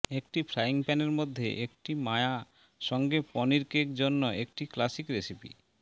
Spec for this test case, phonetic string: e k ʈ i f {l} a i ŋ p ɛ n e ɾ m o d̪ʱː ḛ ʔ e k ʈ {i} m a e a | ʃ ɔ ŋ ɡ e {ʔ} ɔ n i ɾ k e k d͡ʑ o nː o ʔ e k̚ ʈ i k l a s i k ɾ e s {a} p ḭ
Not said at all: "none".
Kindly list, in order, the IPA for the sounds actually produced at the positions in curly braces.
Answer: ɾ, i, p, i

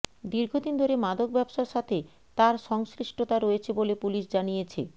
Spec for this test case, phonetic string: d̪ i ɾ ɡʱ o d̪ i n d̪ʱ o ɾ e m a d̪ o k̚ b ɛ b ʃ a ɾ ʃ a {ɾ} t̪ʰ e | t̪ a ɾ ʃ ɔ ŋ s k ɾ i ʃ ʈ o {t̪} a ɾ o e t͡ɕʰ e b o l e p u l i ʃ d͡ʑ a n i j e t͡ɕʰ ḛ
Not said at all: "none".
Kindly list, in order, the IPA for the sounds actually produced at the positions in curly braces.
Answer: none, t̪

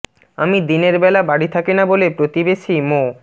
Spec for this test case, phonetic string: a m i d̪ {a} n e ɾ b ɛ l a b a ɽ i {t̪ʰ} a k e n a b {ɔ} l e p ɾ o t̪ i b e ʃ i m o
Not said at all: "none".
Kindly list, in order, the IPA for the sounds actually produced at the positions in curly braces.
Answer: i, t̪ʰ, o

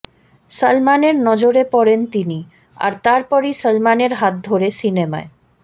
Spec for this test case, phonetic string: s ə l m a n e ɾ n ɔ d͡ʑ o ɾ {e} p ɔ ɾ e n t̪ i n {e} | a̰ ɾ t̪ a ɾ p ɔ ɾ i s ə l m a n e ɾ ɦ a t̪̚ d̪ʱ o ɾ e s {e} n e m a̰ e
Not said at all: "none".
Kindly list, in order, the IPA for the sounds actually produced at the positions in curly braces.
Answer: e, i, i

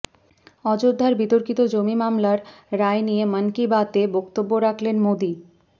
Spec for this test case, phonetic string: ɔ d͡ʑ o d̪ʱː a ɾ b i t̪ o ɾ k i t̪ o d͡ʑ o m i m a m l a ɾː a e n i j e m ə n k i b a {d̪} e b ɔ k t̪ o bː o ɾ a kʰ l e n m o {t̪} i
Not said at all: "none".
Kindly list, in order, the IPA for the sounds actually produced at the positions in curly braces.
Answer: t̪, d̪

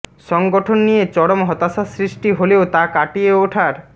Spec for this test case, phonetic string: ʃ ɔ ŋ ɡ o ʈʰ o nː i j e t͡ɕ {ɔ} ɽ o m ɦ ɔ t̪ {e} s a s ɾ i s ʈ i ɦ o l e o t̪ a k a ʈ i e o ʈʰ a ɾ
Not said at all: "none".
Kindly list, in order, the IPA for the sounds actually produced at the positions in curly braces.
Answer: ɔ, a

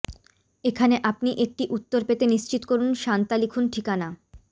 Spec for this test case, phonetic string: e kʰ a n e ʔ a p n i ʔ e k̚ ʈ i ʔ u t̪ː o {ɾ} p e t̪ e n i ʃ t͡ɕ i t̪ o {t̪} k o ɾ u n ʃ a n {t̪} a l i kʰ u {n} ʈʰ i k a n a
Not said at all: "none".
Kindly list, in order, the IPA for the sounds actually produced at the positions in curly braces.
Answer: ɾ, none, t̪, n

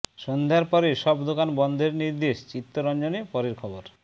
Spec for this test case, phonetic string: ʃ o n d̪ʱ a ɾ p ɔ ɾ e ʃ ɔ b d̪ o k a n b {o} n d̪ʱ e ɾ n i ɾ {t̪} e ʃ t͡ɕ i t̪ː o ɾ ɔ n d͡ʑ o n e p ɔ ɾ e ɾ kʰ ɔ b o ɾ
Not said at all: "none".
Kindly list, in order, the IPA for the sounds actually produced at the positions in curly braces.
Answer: ɔ, d̪

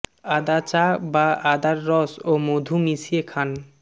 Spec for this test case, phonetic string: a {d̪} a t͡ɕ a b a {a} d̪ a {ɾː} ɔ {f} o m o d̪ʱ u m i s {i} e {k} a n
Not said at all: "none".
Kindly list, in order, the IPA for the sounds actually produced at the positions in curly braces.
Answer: d̪, a, ɾː, s, i, kʰ

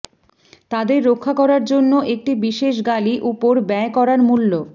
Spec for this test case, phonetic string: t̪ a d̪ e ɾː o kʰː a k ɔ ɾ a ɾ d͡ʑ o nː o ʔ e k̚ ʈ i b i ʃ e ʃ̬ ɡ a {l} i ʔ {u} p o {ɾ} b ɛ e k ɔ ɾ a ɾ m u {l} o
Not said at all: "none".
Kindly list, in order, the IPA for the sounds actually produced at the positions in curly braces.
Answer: l, u, ɾ, lː

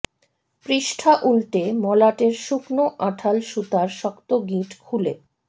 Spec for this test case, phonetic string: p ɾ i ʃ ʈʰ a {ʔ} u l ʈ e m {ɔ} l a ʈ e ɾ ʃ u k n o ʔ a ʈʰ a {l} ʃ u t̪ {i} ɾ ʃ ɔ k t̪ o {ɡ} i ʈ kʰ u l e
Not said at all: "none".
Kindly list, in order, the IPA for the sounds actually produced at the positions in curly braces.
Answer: ʔ, ɔ, l, a, ɡ

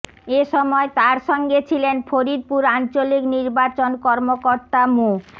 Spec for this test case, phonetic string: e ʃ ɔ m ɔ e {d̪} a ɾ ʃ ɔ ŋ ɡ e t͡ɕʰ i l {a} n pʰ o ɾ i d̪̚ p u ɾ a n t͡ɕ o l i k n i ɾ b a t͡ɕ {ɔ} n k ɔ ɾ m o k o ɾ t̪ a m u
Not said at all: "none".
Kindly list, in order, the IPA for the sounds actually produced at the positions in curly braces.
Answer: t̪, e, o

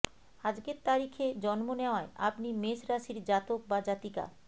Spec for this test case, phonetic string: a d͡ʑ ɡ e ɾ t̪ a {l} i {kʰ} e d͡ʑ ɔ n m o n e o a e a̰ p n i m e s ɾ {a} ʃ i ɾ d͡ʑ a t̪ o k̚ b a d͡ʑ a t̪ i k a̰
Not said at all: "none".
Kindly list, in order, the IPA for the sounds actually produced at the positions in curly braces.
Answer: ɾ, kʰ, a

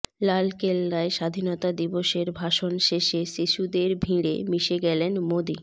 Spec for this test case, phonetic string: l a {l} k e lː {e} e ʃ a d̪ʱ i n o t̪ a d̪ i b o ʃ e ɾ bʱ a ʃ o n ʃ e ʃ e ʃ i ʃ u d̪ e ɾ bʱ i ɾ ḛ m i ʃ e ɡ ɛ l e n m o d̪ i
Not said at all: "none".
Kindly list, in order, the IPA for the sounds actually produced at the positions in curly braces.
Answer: l, a

